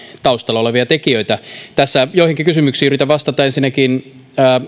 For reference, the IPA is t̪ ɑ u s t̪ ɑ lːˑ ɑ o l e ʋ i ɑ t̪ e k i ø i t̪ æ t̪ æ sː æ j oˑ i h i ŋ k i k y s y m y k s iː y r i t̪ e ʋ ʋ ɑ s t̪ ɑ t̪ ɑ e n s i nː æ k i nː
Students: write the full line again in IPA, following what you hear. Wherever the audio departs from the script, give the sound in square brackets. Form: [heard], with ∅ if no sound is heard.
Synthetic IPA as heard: t̪ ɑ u s t̪ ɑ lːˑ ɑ o l e ʋ i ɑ t̪ e k i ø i t̪ æ t̪ æ sː æ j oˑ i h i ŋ k i k y s y m y k s iː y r i t̪ [æ] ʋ ʋ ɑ s t̪ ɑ t̪ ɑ e n s i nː æ k i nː